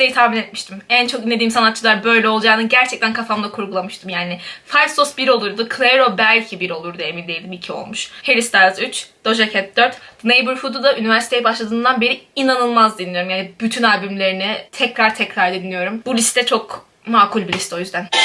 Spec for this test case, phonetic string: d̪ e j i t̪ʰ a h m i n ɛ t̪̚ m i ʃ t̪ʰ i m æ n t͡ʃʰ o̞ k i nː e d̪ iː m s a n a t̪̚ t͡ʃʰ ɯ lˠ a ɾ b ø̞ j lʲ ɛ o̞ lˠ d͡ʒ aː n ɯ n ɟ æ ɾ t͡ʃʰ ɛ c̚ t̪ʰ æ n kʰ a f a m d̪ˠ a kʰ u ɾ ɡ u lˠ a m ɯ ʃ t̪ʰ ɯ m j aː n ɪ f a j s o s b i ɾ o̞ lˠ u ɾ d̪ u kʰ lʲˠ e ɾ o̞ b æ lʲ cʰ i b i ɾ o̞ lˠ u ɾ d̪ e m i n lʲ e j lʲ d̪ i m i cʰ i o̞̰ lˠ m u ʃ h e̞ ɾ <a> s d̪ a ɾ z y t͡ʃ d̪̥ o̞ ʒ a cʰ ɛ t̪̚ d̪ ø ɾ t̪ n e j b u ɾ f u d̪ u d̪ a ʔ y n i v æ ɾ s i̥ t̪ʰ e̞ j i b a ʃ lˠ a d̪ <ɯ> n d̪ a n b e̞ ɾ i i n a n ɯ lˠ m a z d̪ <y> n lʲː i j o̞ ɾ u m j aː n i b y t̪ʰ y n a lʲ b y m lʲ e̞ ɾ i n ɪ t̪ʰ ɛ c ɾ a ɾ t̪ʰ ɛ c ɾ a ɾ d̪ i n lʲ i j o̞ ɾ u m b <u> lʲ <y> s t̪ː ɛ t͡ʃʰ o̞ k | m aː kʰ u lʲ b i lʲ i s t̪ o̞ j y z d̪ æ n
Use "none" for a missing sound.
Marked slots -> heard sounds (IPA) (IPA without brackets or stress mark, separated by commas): i, ɯː, i, u, i